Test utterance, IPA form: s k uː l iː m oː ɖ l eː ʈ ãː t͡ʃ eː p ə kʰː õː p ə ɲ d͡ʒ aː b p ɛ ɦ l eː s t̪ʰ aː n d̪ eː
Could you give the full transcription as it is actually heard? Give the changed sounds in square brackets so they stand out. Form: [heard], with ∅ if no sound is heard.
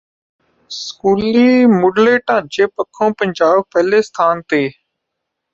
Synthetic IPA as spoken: s k uː l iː m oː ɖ l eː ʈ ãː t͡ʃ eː p ə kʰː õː p ə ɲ d͡ʒ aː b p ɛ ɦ l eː s t̪ʰ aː n [t̪] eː

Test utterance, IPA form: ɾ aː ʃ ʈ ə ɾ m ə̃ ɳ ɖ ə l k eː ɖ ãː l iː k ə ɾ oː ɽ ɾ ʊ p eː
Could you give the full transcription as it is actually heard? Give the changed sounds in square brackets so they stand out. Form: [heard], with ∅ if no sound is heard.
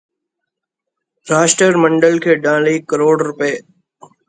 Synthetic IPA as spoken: ɾ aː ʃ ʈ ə ɾ m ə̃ ɳ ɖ ə l [kʰ] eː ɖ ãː l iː k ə ɾ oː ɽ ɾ ʊ p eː

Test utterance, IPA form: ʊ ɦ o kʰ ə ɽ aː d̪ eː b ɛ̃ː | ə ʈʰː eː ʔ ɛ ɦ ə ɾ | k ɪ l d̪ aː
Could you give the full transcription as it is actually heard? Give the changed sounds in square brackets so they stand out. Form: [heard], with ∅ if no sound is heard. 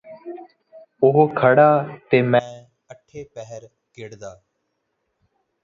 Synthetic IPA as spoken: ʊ ɦ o kʰ ə ɽ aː [t̪] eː [m] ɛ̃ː | ə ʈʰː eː [p] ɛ ɦ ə ɾ | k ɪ [ɽ] d̪ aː

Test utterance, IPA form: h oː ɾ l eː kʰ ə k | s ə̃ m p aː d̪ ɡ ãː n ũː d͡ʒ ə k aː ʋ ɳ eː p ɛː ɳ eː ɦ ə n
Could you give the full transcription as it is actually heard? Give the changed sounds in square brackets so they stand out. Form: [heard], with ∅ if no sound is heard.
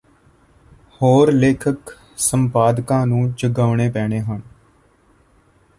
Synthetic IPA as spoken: h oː ɾ l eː kʰ ə k | s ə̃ m p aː d̪ [k] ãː n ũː d͡ʒ ə [ɡ] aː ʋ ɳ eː p ɛː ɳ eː ɦ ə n

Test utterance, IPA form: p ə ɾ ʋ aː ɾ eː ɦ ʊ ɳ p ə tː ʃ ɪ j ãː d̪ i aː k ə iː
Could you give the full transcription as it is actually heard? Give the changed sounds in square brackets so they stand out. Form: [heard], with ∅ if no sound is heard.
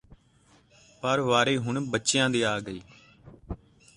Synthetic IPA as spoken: p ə ɾ ʋ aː ɾ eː ɦ ʊ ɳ [b] ə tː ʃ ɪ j ãː d̪ [iː] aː [ɡ] ə iː

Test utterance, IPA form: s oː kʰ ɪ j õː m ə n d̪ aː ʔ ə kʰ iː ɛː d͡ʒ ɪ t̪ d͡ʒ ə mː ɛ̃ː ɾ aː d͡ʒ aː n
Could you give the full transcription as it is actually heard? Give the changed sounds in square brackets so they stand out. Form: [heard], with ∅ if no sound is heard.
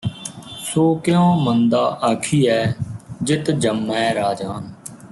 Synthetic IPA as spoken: s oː [k] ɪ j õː m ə n d̪ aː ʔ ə kʰ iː ɛː d͡ʒ ɪ t̪ d͡ʒ ə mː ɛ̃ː ɾ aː d͡ʒ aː n

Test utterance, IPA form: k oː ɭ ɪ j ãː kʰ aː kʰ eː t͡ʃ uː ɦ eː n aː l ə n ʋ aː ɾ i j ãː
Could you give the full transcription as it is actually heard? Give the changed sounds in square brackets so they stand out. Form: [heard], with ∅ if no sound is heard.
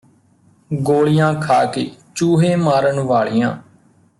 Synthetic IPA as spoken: [ɡ] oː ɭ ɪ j ãː kʰ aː [k] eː t͡ʃ uː ɦ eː [m] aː [ɾ] ə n ʋ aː [ɭ] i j ãː

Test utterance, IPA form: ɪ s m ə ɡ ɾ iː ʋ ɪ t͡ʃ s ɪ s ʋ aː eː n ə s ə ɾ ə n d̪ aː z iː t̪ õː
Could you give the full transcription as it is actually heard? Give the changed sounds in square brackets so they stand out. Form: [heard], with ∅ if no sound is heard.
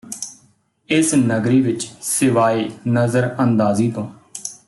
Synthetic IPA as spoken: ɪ s [n] ə ɡ ɾ iː ʋ ɪ t͡ʃ s ɪ [∅] ʋ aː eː n ə [z] ə ɾ ə n d̪ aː z iː t̪ õː

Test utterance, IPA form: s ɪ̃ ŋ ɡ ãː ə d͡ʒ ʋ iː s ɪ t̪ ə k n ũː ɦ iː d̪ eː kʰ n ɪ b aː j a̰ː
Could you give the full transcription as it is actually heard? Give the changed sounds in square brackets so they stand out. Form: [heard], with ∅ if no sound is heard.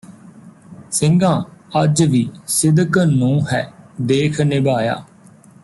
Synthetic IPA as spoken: s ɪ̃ ŋ ɡ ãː ə d͡ʒ ʋ iː s ɪ [d̪] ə k n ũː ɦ [ɛː] d̪ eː kʰ n ɪ b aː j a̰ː

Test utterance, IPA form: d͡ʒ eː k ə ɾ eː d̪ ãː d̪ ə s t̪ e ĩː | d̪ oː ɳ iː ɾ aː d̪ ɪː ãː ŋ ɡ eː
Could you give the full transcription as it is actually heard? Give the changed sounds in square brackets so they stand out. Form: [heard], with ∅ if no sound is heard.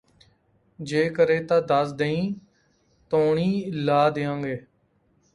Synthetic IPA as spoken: d͡ʒ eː k ə ɾ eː [t̪] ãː d̪ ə s [d̪] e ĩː | [t̪] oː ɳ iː [l] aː d̪ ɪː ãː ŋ ɡ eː

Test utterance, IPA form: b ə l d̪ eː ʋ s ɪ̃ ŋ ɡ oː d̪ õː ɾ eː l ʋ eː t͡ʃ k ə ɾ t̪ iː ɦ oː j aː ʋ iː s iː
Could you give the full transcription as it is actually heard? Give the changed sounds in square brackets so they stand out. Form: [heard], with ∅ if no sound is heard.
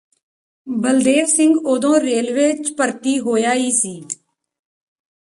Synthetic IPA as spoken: b ə l d̪ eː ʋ s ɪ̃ ŋ ɡ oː d̪ õː ɾ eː l ʋ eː t͡ʃ [p] ə ɾ t̪ iː ɦ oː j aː [∅] iː s iː

